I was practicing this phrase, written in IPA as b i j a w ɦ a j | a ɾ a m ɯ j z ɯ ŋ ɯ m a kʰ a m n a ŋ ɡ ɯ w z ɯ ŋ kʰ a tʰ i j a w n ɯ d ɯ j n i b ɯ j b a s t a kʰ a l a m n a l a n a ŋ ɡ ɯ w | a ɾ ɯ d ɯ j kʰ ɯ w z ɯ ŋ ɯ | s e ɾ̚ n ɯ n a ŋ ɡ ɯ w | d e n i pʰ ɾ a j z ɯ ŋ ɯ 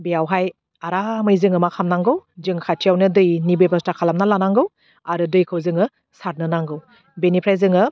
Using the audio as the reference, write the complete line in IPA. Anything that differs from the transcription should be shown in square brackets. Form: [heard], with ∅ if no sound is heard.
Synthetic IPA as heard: b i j a w ɦ a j | a ɾ a m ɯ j z ɯ ŋ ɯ m a kʰ a m n a ŋ ɡ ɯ w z ɯ ŋ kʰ a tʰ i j a w n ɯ d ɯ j n i b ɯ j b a s t a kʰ a l a m n a l a n a ŋ ɡ ɯ w | a ɾ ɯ d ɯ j kʰ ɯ w z ɯ ŋ ɯ | s [a] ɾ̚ n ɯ n a ŋ ɡ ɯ w | [b] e n i pʰ ɾ a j z ɯ ŋ ɯ

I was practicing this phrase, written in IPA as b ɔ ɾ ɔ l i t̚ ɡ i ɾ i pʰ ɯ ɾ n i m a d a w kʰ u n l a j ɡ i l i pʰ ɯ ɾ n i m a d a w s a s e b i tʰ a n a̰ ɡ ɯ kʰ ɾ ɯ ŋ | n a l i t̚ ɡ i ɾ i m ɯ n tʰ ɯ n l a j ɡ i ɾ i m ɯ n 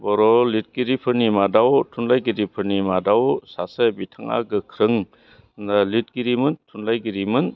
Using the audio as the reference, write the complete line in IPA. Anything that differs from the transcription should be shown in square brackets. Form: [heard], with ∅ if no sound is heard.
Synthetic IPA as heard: b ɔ ɾ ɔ l i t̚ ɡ i ɾ i pʰ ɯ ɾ n i m a d a w [tʰ] u n l a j ɡ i [ɾ] i pʰ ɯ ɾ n i m a d a w s a s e b i tʰ a [ŋ] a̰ ɡ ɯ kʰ ɾ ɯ ŋ | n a l i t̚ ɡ i ɾ i m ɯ n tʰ [u] n l a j ɡ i ɾ i m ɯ n

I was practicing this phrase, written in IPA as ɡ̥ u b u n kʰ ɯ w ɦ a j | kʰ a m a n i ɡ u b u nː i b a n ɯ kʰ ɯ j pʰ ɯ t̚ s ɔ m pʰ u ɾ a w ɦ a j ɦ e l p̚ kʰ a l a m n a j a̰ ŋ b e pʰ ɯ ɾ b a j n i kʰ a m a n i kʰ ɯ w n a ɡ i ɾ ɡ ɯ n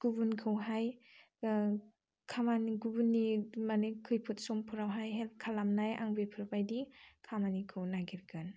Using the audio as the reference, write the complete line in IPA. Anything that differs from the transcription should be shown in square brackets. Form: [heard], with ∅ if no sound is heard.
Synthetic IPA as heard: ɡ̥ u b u n kʰ ɯ w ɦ a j | kʰ a m a n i ɡ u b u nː i [m] a n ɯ kʰ ɯ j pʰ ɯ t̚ s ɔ m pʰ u ɾ a w ɦ a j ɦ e l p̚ kʰ a l a m n a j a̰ ŋ b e pʰ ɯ ɾ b a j [d] i kʰ a m a n i kʰ ɯ w n a ɡ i ɾ ɡ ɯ n

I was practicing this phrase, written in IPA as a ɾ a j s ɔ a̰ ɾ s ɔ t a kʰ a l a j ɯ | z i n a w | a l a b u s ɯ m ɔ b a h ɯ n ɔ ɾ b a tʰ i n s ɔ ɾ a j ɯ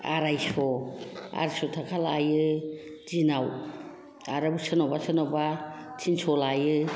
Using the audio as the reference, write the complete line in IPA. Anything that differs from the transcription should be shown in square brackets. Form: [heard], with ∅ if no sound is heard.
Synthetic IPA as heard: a ɾ a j s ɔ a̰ ɾ s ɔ [tʰ] a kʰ a l a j ɯ | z i n a w | a [ɾ] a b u s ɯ [n] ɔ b a [s] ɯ n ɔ [∅] b a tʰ i n s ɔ [l] a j ɯ

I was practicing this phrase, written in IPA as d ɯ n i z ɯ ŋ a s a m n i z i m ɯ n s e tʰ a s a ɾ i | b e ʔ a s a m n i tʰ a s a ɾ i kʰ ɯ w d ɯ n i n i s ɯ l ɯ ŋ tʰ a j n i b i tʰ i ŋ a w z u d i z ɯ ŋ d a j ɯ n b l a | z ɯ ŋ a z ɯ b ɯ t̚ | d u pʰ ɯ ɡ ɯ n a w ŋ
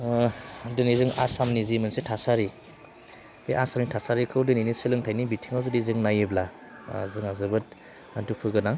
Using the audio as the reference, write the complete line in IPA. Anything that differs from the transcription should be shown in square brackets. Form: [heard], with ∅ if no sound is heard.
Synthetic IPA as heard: d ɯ n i z ɯ ŋ a s a m n i z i m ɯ n s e tʰ a s a ɾ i | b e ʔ a s a m n i tʰ a s a ɾ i kʰ ɯ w d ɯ n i n i s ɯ l ɯ ŋ tʰ a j n i b i tʰ i ŋ a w z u d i z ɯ ŋ [n] a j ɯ [∅] b l a | z ɯ ŋ a z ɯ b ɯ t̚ | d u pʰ ɯ ɡ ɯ n a [∅] ŋ

